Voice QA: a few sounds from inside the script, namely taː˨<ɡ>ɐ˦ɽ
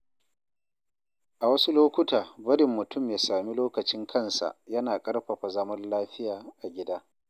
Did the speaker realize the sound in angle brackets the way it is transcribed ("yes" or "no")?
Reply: no